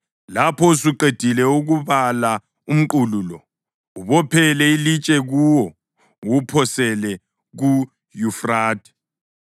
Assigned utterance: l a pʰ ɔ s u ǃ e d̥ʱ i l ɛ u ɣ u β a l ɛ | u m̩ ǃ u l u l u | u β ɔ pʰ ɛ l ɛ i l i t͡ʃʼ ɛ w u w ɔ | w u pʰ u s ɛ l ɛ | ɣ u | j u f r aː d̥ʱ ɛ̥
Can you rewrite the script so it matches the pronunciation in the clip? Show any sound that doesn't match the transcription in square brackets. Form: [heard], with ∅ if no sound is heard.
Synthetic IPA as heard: l a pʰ ɔ s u ǃ e d̥ʱ i l ɛ u ɣ u β a l [a] | u m̩ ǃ u l u l [ɔ] | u β ɔ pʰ ɛ l ɛ i l i t͡ʃʼ ɛ [ɣ] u w ɔ | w u pʰ [ɔ] s ɛ l ɛ | ɣ u | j u f r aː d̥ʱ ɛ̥